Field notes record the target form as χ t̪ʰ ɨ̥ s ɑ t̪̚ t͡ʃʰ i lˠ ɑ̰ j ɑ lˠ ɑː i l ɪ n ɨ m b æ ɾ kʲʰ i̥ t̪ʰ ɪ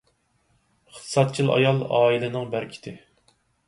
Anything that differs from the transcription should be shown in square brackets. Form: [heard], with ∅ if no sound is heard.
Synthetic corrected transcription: χ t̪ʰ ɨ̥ s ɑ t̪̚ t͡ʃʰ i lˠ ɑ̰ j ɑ lˠ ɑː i l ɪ n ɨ [ŋ] b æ ɾ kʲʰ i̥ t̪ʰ ɪ